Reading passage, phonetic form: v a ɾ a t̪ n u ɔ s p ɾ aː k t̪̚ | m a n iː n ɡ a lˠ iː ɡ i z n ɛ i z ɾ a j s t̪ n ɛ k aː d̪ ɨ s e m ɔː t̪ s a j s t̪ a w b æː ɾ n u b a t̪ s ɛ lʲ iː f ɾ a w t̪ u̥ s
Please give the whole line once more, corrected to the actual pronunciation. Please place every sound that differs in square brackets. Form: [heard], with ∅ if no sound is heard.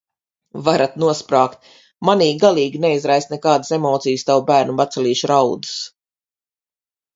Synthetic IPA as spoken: v a ɾ a t̪ n u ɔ s p ɾ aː k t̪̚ | m a n iː [∅] ɡ a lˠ iː ɡ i [∅] n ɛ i z ɾ a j s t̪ n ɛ k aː d̪ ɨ s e m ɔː t̪ s [i] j s t̪ a w b æː ɾ n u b a t̪ s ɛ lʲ iː [ʃ] ɾ a w [d̪] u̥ s